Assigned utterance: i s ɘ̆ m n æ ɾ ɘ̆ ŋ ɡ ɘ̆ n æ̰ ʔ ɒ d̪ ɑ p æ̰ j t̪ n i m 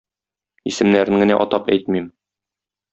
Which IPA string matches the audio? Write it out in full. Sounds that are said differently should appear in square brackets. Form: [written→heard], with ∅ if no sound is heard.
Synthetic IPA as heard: i s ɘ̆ m n æ ɾ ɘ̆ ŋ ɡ ɘ̆ n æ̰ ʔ ɒ [d̪→t̪] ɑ p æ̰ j t̪ [n→m] i m